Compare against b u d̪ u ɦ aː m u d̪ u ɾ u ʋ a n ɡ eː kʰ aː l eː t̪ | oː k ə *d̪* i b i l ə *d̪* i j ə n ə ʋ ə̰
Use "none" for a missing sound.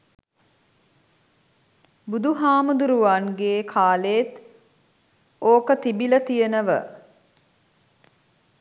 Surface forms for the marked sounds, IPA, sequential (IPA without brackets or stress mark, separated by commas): t̪, t̪